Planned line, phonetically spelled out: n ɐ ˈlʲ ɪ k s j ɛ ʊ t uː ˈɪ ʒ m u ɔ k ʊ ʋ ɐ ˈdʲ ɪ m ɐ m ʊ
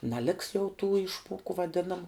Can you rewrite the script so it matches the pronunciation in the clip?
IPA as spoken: n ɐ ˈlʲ ɪ k s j ɛ ʊ t uː ˈɪ ʃ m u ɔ k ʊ ʋ ɐ ˈdʲ ɪ n ɐ m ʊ